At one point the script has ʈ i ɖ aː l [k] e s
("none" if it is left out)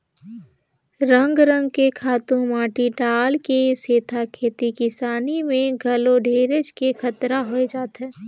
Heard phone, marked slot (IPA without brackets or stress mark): k